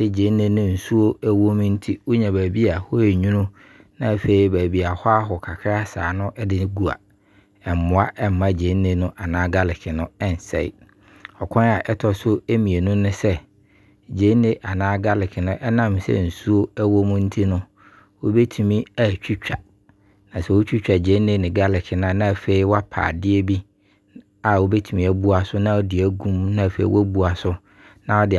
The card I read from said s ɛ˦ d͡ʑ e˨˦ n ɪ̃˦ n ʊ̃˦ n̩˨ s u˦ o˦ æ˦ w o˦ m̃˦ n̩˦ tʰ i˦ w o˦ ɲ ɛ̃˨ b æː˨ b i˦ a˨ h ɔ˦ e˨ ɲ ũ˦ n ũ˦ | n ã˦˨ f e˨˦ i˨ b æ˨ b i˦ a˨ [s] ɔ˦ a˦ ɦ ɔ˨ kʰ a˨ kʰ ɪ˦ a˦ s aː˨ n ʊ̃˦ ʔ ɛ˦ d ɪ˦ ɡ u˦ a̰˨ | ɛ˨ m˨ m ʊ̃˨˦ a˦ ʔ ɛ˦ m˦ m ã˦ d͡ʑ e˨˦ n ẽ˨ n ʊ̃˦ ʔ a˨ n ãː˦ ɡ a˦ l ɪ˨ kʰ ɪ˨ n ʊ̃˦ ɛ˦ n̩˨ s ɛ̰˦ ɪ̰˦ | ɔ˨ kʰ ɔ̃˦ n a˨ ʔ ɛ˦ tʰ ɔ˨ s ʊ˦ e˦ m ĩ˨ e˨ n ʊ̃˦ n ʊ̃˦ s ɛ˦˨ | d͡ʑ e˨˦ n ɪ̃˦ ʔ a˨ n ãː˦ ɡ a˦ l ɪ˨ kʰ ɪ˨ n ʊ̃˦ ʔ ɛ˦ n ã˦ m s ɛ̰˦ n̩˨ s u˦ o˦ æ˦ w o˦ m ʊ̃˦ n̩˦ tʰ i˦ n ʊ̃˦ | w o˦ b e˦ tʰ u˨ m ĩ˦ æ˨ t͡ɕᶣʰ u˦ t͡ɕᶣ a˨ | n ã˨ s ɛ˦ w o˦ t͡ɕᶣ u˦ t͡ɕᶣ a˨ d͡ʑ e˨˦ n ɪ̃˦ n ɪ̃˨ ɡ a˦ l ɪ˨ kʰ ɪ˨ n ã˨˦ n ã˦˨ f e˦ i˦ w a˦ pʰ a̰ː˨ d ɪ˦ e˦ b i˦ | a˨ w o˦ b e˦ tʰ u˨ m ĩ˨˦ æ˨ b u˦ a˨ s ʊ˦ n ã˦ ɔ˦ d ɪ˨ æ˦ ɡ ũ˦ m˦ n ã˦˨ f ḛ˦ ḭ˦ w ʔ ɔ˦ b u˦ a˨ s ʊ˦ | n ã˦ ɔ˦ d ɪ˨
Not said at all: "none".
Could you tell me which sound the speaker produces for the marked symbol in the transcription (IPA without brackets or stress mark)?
h